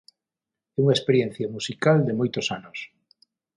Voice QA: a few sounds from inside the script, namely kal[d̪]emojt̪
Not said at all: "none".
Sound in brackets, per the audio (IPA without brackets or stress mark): d̪